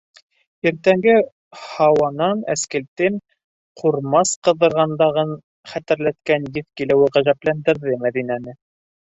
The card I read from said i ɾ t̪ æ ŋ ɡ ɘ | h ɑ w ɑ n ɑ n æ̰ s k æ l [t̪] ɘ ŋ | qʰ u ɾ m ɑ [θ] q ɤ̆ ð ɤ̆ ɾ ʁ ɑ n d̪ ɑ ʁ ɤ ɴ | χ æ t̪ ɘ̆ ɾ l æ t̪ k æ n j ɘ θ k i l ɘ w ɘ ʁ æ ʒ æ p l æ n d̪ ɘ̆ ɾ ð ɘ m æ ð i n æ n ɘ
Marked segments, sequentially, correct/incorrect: correct, incorrect: s

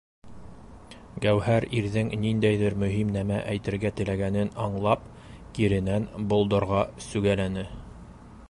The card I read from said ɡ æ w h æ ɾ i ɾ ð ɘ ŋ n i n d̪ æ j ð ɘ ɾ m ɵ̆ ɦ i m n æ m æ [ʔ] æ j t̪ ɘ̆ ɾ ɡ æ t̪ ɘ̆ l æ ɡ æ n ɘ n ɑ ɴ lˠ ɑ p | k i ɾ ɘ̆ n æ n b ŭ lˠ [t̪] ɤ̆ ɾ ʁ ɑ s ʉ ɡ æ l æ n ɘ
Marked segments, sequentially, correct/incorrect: correct, incorrect: d̪

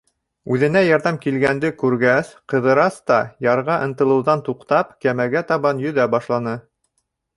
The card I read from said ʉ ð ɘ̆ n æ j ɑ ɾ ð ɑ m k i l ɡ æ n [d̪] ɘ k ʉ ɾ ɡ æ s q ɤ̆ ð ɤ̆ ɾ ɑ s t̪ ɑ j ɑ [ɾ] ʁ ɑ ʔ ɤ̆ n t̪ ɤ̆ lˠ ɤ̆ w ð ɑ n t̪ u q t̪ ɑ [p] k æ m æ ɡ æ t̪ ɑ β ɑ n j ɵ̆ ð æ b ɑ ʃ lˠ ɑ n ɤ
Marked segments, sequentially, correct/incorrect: correct, correct, correct

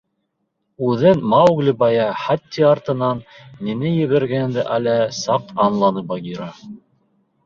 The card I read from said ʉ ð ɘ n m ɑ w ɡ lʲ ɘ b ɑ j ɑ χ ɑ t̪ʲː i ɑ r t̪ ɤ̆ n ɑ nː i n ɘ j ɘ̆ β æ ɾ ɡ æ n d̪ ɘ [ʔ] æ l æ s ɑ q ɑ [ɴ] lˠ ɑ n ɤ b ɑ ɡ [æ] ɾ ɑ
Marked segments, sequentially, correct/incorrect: correct, incorrect: n, incorrect: i

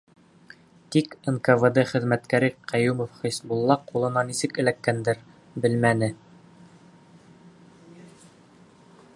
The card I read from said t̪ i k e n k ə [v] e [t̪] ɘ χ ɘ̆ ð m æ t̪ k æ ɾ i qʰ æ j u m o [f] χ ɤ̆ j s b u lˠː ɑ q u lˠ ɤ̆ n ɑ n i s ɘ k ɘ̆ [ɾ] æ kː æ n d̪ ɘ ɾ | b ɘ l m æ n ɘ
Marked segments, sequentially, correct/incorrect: correct, incorrect: d̪, correct, incorrect: l

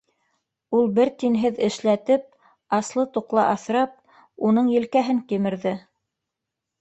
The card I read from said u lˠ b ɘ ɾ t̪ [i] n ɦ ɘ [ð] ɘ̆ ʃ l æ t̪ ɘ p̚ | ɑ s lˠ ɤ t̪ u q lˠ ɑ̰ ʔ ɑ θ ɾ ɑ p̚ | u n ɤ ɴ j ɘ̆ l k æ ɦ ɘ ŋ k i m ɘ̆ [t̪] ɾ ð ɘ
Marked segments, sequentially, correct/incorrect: correct, correct, incorrect: none

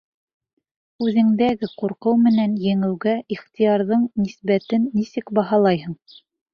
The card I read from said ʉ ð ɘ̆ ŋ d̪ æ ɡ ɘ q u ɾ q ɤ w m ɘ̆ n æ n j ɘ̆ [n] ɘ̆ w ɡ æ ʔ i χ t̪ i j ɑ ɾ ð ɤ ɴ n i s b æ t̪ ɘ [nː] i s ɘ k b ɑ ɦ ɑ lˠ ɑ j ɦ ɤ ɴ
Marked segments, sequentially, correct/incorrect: incorrect: ŋ, correct

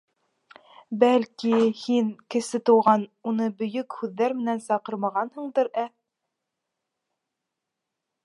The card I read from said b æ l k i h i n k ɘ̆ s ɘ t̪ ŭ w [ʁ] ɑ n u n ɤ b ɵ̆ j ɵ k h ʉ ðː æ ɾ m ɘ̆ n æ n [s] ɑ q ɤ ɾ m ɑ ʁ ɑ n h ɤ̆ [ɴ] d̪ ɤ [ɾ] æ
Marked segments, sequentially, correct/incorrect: correct, correct, correct, correct

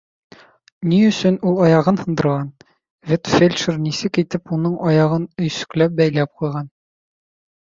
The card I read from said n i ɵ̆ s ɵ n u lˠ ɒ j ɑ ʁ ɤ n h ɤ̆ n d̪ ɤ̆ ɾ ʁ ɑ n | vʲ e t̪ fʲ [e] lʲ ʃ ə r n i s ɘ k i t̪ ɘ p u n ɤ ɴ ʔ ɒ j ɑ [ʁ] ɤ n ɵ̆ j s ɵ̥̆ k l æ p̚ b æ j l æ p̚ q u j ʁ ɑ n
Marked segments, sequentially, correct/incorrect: correct, correct

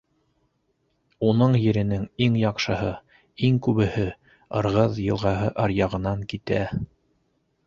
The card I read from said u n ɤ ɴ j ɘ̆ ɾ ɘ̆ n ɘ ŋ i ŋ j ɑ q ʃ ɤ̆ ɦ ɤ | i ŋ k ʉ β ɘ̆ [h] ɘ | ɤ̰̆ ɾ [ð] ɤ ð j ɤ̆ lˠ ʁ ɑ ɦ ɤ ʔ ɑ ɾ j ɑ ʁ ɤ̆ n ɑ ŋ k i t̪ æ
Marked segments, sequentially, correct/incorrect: correct, incorrect: ʁ

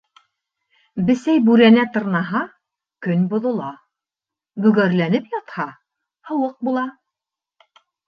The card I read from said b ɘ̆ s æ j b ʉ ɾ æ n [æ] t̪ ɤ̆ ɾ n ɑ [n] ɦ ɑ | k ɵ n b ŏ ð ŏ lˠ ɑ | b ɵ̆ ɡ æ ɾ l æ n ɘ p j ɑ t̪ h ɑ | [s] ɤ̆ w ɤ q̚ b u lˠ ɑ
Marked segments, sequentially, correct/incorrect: correct, incorrect: none, incorrect: h

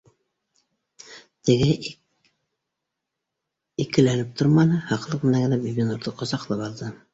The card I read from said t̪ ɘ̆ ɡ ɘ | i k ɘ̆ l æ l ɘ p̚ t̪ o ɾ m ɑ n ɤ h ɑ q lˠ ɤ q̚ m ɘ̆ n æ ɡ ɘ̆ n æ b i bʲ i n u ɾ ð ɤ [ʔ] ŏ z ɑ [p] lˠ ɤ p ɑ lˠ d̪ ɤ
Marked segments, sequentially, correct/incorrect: incorrect: q, incorrect: q

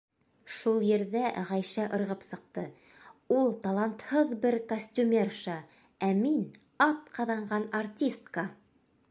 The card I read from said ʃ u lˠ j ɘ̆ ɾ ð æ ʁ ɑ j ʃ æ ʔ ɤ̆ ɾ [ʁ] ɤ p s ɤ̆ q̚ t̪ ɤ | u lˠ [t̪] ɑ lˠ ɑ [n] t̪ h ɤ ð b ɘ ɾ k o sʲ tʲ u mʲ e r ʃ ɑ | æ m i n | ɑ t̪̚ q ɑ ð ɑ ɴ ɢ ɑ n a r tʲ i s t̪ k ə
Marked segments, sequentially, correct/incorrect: correct, correct, correct

